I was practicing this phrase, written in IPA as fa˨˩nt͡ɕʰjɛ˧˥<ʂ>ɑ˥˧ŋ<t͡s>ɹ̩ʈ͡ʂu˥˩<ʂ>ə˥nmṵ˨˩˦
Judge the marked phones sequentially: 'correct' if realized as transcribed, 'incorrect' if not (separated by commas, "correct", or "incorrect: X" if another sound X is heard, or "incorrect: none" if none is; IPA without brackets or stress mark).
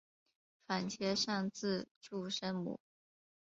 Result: correct, correct, correct